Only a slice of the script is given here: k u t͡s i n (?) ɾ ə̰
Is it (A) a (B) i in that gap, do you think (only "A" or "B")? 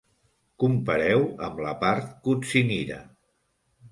B